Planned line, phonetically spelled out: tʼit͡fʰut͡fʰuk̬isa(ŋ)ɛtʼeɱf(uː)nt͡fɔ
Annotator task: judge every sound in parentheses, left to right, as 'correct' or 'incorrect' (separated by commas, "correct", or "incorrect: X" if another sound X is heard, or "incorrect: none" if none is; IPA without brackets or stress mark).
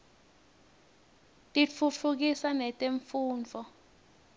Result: incorrect: n, correct